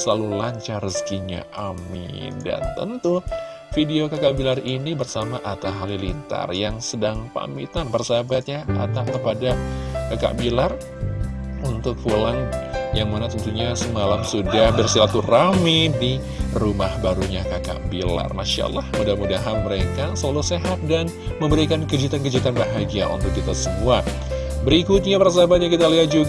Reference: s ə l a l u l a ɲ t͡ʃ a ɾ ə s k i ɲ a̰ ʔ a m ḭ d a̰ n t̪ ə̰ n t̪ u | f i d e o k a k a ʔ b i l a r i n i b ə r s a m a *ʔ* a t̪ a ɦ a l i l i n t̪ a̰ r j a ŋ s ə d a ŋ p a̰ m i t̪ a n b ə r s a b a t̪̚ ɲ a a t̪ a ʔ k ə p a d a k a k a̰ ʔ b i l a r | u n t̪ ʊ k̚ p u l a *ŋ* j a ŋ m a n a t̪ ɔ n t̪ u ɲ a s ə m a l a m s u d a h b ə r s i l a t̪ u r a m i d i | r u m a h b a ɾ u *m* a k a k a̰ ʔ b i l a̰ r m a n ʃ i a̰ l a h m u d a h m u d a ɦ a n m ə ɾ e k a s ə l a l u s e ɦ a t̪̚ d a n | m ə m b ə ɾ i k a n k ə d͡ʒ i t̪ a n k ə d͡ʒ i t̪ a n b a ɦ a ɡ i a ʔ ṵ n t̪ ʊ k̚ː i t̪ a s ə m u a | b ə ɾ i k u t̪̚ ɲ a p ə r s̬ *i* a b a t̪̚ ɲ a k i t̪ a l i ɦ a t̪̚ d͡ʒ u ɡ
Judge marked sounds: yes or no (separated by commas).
yes, yes, no, no